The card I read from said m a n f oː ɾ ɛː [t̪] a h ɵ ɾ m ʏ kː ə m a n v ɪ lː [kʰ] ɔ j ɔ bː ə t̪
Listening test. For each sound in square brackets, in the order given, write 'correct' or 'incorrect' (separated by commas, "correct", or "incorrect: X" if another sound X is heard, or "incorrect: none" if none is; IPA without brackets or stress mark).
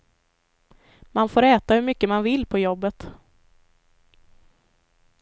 correct, incorrect: pʰ